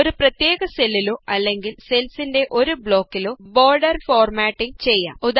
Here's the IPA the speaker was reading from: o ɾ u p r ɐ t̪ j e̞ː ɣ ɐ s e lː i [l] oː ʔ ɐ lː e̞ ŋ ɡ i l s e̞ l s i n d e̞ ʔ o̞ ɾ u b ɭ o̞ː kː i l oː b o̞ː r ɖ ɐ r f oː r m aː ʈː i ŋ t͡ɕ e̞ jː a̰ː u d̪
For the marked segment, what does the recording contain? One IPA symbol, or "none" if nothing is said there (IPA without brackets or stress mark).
l